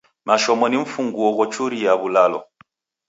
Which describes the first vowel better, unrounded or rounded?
unrounded